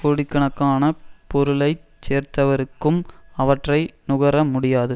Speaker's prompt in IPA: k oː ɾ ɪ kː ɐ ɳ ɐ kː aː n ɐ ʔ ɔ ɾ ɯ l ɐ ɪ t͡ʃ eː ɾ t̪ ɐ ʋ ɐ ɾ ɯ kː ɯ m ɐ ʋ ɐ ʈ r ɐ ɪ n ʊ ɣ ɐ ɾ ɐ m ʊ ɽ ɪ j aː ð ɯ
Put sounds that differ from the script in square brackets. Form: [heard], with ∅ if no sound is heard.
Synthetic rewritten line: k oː [ɽ] ɪ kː ɐ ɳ ɐ kː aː n ɐ [p] ɔ ɾ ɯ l ɐ ɪ t͡ʃ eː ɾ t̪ ɐ ʋ ɐ ɾ ɯ kː ɯ m ɐ ʋ ɐ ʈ r ɐ ɪ n ʊ ɣ ɐ ɾ ɐ m ʊ ɽ ɪ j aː ð ɯ